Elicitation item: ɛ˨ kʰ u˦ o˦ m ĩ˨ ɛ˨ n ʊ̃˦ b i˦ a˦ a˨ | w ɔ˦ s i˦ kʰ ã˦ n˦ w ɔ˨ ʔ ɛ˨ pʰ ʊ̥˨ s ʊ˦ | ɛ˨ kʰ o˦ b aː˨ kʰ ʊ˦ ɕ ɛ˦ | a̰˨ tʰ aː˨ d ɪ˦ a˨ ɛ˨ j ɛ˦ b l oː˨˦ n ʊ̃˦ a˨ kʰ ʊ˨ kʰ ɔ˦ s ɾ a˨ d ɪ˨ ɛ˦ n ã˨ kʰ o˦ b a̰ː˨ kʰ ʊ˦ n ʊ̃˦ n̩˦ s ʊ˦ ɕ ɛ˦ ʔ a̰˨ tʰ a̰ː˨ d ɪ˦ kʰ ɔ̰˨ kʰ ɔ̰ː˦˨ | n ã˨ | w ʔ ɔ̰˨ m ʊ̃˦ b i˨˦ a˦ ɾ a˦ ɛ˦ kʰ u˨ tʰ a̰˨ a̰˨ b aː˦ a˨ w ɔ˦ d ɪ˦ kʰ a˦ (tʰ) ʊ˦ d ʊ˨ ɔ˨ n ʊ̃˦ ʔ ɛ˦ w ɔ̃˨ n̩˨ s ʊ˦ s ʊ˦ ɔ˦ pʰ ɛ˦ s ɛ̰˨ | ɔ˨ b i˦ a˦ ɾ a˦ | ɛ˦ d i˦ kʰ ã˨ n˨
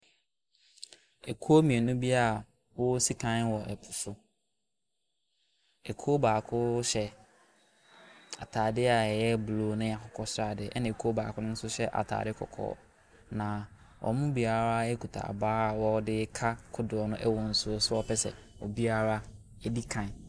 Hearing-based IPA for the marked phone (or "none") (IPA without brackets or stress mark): kʰ